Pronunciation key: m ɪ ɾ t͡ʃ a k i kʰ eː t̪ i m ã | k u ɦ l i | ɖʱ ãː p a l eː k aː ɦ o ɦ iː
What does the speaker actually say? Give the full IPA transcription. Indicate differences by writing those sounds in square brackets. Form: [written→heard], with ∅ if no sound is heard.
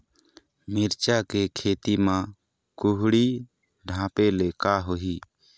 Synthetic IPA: m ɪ ɾ t͡ʃ a k [i→e] kʰ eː t̪ i m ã | k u ɦ [l→ɽ] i | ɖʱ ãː p [a→e] l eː k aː ɦ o ɦ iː